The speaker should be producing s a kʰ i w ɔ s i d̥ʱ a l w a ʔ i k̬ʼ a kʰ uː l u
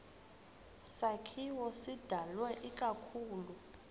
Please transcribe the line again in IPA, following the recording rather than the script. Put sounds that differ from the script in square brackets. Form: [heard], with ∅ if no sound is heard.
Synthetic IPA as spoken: s a kʰ i w ɔ s i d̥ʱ a l w [ɛ] ʔ i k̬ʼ a kʰ uː l u